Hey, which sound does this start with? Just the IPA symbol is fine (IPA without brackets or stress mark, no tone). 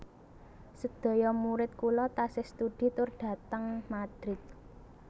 s